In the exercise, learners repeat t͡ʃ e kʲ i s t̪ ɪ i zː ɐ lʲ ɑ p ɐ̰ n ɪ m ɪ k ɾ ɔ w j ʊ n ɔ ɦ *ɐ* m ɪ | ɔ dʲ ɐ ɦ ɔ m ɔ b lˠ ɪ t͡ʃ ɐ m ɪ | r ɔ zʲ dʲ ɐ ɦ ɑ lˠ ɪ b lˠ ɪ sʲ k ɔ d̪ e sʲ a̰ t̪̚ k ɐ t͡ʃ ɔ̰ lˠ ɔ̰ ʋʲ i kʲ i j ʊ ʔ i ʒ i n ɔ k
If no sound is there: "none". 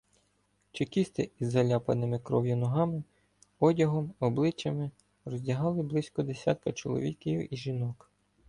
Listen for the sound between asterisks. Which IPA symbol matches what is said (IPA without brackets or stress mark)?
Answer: ɑ